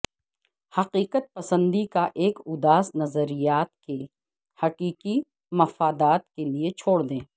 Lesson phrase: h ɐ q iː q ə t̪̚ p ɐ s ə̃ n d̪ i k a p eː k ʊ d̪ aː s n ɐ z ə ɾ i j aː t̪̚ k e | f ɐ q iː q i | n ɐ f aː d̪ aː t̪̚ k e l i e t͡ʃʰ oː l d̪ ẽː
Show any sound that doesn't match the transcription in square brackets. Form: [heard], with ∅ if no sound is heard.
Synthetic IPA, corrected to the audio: h ɐ q iː q ə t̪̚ p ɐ s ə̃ n d̪ i k a [ʔ] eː k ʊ d̪ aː s n ɐ z ə ɾ i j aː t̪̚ k e | [h] ɐ q iː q i | [m] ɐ f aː d̪ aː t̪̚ k e l i e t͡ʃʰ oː [ɽ] d̪ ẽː